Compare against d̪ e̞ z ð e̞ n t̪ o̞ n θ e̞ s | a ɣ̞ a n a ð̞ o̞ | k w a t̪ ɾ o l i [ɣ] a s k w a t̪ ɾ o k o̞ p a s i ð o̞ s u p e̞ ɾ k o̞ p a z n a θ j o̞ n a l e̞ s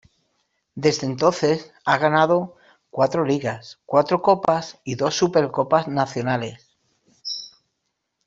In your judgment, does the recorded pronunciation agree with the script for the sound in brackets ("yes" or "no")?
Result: yes